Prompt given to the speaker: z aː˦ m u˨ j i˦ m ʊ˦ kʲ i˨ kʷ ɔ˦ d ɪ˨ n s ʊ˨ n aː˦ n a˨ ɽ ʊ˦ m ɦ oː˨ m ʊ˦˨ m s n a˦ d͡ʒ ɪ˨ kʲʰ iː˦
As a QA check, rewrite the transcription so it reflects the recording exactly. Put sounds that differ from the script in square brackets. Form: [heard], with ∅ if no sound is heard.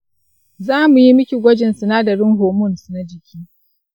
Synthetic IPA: z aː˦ m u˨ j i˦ m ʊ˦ kʲ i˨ [ɡʷ] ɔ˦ [d͡ʒ] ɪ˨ n s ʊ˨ n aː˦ [d] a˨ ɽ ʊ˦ [ŋ] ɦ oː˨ m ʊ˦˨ [n] s n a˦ d͡ʒ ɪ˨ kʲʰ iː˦